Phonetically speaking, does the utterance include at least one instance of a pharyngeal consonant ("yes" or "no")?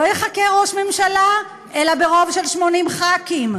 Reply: no